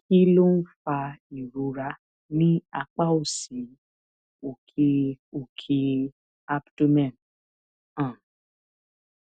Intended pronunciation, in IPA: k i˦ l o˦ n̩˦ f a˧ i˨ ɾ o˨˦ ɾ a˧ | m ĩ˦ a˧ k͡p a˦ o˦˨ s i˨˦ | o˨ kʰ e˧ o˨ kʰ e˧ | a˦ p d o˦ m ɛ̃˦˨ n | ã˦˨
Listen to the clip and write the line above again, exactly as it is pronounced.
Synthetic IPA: k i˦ l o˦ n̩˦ f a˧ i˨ ɾ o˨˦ ɾ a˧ | n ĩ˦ a˧ k͡p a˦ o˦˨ s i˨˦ | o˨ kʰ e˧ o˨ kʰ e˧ | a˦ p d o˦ m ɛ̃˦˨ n | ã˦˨